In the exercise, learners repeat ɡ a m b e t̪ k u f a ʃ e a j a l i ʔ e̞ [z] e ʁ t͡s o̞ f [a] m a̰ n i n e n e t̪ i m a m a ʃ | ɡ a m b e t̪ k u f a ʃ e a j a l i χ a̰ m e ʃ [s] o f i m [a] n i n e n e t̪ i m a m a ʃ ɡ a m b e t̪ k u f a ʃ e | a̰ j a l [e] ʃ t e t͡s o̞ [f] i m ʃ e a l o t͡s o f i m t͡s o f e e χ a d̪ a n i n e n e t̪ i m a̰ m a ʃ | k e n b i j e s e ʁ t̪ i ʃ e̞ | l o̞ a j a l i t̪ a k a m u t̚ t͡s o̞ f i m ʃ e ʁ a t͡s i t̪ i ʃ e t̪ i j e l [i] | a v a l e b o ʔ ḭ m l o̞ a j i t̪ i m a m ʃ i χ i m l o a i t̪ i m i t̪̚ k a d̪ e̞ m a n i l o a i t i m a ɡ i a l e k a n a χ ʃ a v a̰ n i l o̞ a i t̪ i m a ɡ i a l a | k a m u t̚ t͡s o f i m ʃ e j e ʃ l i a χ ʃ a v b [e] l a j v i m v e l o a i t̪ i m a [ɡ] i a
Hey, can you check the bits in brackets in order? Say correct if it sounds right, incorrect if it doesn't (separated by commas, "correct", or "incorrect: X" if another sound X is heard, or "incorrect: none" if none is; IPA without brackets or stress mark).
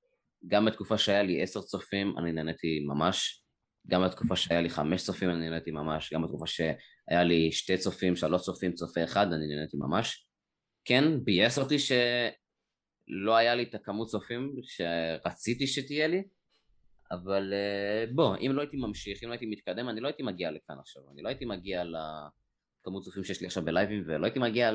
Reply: incorrect: s, incorrect: i, incorrect: t͡s, correct, incorrect: i, correct, correct, correct, correct